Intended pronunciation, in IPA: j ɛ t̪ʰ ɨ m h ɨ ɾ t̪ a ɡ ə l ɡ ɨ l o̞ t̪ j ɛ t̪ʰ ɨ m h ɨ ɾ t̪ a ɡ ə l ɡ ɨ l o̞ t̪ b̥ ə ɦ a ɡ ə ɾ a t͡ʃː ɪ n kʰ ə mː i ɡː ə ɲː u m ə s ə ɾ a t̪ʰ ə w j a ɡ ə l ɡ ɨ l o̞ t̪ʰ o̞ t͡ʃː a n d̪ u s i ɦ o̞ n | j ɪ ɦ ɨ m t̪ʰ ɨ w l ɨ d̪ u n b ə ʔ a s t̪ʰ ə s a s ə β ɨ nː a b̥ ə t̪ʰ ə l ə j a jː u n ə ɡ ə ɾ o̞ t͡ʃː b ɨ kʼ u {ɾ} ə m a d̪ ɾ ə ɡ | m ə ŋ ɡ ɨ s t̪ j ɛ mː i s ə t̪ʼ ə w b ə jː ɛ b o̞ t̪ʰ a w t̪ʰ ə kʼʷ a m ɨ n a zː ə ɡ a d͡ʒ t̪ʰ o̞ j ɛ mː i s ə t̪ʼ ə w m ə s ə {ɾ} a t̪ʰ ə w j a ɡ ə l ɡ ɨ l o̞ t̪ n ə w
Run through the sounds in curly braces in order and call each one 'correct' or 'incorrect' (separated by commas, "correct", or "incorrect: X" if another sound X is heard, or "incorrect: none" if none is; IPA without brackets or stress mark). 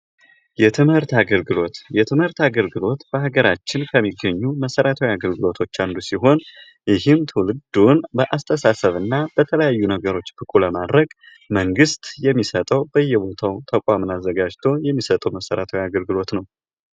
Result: incorrect: l, correct